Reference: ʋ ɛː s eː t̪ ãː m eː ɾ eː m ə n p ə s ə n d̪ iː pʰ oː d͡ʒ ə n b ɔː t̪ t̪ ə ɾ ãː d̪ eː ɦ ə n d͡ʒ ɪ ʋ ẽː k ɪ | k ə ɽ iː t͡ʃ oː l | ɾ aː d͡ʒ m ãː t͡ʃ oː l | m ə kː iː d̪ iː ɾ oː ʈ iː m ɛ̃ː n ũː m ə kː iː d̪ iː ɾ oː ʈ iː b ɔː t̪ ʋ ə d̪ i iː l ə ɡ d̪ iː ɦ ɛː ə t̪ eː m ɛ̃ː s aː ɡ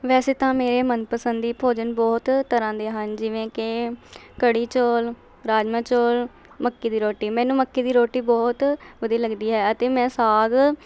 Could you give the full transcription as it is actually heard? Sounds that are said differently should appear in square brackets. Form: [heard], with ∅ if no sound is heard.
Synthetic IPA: ʋ ɛː s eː t̪ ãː m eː ɾ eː m ə n p ə s ə n d̪ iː pʰ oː d͡ʒ ə n b ɔː t̪ t̪ ə ɾ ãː d̪ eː ɦ ə n d͡ʒ ɪ ʋ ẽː k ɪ | k ə ɽ iː t͡ʃ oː l | ɾ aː d͡ʒ m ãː t͡ʃ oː l | m ə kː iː d̪ iː ɾ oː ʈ iː m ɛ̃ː n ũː m ə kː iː d̪ iː ɾ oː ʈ iː b ɔː t̪ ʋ ə d̪ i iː l ə ɡ d̪ iː ɦ ɛː ə t̪ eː m ɛ̃ː s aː ɡ